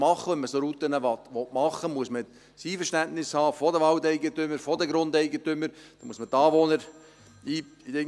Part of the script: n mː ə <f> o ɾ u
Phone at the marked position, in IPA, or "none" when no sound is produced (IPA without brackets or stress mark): s